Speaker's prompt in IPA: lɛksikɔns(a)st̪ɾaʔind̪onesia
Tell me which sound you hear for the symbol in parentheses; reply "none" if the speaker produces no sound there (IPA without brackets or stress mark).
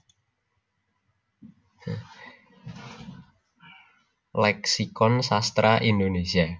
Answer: a